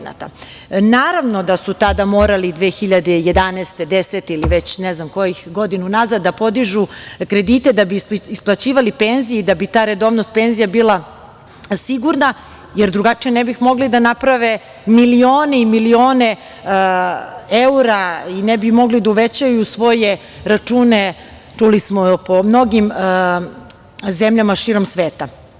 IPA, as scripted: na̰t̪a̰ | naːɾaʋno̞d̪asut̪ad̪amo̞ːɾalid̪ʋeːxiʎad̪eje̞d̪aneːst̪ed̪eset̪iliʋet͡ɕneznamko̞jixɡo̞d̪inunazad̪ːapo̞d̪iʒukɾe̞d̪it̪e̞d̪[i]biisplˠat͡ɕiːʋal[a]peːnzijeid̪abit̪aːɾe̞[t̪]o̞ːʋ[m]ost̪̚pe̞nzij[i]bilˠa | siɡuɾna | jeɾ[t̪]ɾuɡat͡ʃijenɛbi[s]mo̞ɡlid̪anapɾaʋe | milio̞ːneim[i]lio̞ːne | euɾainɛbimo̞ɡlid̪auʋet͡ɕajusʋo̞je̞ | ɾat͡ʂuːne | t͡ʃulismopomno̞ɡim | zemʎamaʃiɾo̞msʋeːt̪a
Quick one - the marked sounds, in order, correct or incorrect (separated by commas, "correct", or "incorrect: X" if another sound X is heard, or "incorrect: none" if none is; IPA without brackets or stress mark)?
incorrect: a, incorrect: i, incorrect: d̪, incorrect: n, incorrect: a, incorrect: d̪, incorrect: x, correct